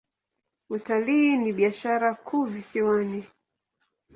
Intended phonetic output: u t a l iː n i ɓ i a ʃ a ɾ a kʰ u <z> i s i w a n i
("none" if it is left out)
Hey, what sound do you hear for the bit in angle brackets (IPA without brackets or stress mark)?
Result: v